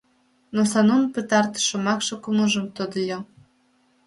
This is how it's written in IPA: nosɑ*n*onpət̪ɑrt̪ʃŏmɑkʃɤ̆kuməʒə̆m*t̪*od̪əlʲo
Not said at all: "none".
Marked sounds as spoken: n, t̪

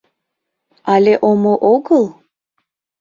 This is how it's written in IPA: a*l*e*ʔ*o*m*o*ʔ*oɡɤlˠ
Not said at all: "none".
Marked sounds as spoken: l, ʔ, m, ʔ

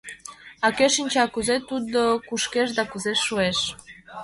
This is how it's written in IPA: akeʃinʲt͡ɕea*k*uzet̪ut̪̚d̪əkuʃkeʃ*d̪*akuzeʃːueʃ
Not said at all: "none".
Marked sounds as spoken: k, d̪

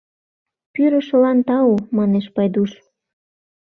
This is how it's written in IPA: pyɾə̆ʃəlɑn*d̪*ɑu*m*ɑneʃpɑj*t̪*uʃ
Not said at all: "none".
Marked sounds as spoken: t̪, m, d̪

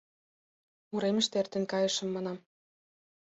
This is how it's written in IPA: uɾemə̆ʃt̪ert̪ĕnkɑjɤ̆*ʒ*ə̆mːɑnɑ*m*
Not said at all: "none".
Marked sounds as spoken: ʃ, m

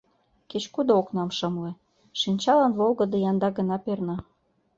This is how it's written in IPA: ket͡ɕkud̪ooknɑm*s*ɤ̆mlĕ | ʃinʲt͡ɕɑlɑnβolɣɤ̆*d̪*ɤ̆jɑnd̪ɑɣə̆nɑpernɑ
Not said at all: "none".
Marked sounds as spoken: ʃ, d̪

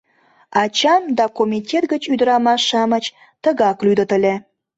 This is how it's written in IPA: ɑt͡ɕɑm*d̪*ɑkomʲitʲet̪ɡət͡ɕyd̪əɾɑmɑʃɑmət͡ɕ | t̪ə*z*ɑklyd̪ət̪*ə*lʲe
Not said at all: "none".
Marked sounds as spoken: d̪, ɣ, ə

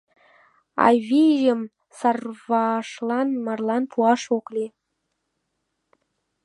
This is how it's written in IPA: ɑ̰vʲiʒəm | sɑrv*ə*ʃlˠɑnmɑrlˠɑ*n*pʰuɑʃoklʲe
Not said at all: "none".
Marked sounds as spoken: ɑ, n

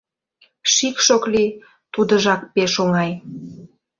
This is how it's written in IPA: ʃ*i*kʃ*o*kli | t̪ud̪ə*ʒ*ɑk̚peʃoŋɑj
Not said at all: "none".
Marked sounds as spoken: i, o, ʒ

